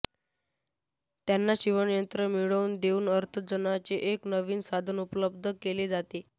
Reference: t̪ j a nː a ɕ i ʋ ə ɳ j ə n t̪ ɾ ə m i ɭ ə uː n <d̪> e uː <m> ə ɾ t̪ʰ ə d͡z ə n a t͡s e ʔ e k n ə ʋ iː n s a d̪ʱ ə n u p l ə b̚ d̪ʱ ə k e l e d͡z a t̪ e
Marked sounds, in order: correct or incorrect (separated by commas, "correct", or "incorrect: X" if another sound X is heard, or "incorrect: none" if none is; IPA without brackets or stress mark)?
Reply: correct, incorrect: n